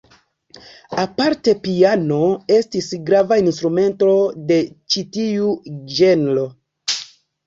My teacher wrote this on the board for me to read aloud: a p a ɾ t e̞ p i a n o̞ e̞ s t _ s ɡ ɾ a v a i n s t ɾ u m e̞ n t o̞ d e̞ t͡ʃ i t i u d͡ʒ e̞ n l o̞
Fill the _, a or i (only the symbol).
i